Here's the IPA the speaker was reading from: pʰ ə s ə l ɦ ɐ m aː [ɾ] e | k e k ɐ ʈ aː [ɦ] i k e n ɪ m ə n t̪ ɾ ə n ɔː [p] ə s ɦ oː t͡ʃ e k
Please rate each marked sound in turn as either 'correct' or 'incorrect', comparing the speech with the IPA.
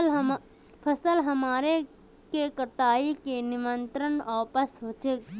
correct, incorrect, correct

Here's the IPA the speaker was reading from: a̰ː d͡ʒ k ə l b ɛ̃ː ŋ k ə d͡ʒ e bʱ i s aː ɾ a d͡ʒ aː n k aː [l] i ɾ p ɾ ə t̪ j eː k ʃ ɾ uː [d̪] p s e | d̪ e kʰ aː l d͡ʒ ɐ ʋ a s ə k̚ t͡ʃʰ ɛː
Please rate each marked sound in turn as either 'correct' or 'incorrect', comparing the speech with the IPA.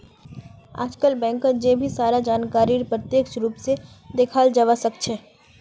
incorrect, incorrect

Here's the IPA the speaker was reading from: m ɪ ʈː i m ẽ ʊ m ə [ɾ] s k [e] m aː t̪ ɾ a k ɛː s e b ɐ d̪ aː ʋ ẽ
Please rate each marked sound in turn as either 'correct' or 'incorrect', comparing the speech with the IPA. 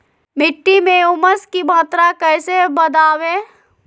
incorrect, incorrect

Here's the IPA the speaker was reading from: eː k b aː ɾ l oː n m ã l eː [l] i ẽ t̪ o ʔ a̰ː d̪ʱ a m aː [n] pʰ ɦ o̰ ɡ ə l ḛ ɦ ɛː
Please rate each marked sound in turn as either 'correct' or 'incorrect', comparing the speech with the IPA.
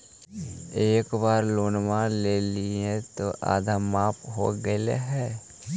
correct, incorrect

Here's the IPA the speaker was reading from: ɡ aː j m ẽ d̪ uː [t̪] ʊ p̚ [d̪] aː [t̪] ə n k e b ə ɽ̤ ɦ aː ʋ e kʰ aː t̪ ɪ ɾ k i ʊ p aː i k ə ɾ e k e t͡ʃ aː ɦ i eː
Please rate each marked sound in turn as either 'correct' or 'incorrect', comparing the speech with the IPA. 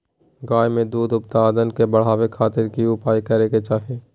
incorrect, incorrect, incorrect

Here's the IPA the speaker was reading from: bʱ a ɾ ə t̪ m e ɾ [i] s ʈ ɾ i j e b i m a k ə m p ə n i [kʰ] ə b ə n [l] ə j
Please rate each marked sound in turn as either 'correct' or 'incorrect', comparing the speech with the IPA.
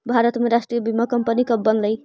incorrect, incorrect, correct

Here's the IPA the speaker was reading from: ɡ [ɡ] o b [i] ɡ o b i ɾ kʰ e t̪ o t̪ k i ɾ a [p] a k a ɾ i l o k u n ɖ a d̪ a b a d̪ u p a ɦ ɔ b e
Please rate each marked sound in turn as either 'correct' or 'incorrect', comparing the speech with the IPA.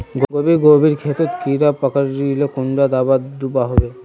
correct, correct, correct

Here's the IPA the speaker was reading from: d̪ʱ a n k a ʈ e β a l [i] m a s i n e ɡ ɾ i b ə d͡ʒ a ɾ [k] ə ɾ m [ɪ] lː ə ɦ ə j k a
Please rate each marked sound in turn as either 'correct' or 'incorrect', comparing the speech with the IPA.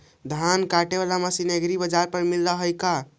incorrect, incorrect, incorrect

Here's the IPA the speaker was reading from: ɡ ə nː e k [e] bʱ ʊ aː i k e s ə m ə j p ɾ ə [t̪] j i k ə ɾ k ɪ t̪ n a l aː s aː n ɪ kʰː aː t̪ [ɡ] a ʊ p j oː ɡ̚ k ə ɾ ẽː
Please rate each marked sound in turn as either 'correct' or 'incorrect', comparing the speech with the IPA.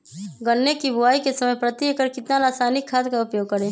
incorrect, correct, incorrect

